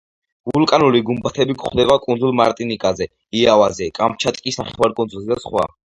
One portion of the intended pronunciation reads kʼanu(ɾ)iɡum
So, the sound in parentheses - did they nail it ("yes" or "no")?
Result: no